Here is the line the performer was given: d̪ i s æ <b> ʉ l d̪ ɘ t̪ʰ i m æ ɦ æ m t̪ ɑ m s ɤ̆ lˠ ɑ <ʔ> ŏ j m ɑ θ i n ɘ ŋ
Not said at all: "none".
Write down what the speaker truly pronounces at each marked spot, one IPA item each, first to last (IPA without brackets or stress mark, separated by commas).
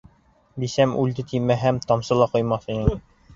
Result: m, q